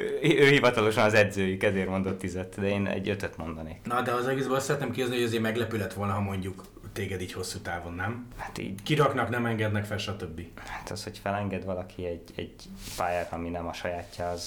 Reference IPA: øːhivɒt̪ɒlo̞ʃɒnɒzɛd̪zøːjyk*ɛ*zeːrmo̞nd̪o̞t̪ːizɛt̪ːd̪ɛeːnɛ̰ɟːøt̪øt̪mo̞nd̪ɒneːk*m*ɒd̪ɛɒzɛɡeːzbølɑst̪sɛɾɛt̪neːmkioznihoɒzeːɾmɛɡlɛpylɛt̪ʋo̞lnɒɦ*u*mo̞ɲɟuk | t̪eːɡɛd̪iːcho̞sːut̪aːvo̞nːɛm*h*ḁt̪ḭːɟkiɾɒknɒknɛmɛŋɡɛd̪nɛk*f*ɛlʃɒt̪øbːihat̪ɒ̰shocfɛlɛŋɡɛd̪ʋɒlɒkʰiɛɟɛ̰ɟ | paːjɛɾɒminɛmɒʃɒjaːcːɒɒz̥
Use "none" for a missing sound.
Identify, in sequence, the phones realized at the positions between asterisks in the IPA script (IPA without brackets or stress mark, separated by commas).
ɛ, n, ɒ, h, f